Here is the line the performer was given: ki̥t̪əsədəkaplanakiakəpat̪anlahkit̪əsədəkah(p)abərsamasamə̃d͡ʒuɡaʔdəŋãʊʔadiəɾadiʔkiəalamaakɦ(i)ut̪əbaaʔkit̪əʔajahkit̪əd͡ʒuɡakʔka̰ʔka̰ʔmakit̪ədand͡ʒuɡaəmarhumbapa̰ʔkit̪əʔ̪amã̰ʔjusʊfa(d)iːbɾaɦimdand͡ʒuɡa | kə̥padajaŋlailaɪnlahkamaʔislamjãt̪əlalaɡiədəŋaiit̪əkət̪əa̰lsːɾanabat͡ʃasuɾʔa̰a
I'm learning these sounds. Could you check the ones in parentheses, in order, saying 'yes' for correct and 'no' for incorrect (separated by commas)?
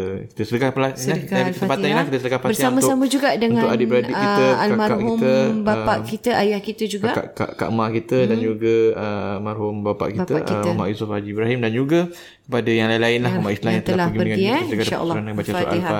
yes, yes, no